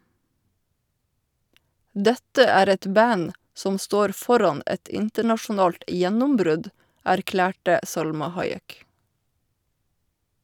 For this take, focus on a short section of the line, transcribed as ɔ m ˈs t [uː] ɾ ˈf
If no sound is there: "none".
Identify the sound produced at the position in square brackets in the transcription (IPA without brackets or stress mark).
oː